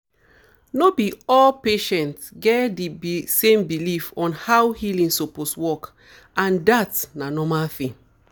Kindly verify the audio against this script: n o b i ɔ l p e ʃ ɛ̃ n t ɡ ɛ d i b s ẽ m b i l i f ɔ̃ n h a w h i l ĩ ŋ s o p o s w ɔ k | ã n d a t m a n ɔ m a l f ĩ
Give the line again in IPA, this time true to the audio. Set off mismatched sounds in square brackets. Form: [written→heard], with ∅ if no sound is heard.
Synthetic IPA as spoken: n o b i ɔ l p e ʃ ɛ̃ n t ɡ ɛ d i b s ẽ m b i l i f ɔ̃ n h a w h i l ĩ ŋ s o p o s w ɔ k | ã n d a t [m→n] a n ɔ m a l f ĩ